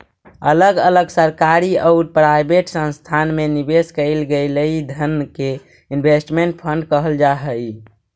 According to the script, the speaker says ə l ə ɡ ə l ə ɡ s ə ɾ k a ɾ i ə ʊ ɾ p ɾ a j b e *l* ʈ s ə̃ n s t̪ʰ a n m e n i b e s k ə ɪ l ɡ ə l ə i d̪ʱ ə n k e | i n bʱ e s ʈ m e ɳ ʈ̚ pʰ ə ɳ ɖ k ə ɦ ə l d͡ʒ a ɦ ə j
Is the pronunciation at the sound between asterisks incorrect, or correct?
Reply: incorrect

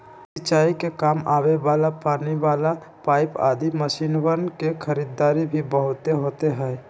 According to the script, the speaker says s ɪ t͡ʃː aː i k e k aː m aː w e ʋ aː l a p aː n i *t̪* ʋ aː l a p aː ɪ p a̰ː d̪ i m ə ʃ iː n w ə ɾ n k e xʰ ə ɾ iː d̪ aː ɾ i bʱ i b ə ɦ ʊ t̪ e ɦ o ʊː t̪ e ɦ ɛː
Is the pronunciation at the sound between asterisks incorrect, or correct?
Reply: incorrect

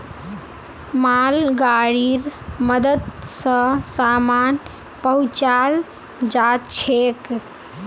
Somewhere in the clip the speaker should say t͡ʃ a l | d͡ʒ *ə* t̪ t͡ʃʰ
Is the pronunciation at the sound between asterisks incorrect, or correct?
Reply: incorrect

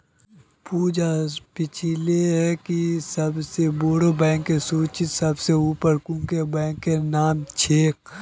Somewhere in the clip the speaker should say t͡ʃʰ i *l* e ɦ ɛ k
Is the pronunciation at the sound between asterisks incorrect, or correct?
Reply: correct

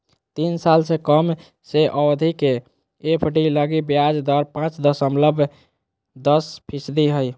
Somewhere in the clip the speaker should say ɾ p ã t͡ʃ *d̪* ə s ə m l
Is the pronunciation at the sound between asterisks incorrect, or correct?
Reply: correct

